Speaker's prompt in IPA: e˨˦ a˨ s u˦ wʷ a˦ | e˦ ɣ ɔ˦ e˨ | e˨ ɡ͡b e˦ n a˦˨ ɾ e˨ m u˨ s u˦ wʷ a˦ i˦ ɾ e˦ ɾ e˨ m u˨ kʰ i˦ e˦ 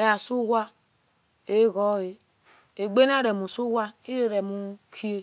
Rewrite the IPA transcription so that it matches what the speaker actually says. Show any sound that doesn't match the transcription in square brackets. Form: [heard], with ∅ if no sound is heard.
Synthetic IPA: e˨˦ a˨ s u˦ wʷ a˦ | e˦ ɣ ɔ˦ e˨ | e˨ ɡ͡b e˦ n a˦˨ ɾ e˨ m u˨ s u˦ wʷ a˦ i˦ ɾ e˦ ɾ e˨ m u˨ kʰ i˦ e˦